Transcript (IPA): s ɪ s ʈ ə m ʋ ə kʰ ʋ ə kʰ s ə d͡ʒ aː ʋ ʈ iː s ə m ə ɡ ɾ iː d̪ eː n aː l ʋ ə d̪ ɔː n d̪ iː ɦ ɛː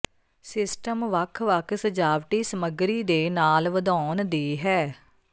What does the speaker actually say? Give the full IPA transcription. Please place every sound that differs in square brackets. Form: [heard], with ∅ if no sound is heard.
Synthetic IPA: s ɪ s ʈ ə m ʋ ə kʰ ʋ ə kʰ s ə d͡ʒ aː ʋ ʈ iː s ə m ə ɡ ɾ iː d̪ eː n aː l ʋ ə d̪ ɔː n d̪ iː ɦ ɛː